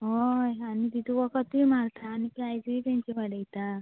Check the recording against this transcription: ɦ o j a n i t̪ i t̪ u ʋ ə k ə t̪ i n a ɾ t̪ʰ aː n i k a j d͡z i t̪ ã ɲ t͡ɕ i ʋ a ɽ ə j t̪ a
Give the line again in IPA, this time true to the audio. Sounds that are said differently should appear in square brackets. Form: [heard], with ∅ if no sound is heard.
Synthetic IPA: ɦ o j a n i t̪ i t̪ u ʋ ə k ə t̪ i [m] a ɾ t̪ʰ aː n i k a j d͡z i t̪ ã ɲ t͡ɕ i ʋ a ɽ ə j t̪ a